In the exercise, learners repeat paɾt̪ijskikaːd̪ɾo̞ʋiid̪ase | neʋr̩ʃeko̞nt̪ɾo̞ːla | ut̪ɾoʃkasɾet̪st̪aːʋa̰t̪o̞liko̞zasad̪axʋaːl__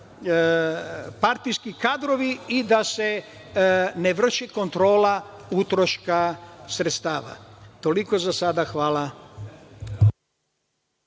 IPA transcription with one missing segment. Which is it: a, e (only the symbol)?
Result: a